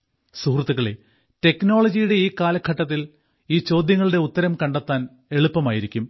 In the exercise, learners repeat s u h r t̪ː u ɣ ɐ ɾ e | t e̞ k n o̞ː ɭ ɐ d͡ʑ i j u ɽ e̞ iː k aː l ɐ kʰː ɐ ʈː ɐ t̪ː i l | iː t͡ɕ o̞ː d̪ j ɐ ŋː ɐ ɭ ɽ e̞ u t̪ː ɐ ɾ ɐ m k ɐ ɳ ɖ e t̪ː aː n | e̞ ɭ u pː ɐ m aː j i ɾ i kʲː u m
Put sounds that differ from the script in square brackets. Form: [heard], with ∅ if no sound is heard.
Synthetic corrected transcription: s u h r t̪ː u ɣ ɐ [ɭ] e | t e̞ k n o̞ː ɭ ɐ d͡ʑ i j u ɽ e̞ iː k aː l ɐ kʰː ɐ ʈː ɐ t̪ː i l | iː t͡ɕ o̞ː d̪ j ɐ ŋː ɐ ɭ ɽ e̞ u t̪ː ɐ ɾ ɐ m k ɐ ɳ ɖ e t̪ː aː n | e̞ ɭ u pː ɐ m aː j i ɾ i kʲː u m